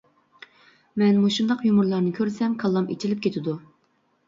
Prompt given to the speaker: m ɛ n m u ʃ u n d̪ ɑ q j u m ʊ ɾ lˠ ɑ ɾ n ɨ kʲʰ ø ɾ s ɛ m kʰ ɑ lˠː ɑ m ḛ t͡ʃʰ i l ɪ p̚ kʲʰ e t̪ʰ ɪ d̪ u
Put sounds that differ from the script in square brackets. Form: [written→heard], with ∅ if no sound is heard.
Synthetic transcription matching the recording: m ɛ n m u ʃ u n d̪ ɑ q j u m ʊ ɾ lˠ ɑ ɾ n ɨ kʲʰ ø ɾ s ɛ m kʰ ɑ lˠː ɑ m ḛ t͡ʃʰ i l ɪ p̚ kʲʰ e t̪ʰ ɪ d̪ u